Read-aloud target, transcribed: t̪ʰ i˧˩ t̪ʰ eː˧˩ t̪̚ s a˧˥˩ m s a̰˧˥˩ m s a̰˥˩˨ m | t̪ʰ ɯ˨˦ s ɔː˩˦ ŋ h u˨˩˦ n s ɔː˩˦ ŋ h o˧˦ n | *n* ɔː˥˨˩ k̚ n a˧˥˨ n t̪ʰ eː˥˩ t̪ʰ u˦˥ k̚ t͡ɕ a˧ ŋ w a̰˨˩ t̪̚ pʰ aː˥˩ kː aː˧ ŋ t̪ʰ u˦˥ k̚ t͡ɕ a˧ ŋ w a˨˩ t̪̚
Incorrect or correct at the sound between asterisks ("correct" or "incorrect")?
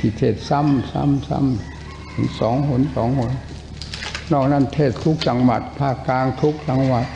correct